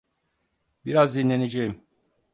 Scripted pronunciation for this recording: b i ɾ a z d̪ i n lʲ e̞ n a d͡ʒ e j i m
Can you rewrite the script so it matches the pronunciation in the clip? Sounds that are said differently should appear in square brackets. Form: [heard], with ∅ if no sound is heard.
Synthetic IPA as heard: b i ɾ a z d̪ i n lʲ e̞ n [e] d͡ʒ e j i m